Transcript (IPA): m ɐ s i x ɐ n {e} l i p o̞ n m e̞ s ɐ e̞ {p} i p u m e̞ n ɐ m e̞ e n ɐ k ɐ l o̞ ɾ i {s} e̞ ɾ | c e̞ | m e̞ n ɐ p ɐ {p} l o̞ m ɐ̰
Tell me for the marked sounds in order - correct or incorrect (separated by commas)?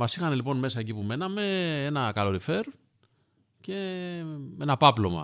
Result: correct, incorrect, incorrect, correct